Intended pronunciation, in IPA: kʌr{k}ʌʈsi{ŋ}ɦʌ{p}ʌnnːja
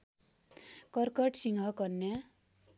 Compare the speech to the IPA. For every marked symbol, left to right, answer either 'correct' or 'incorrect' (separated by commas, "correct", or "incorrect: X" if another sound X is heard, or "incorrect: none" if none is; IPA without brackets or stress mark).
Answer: correct, correct, incorrect: k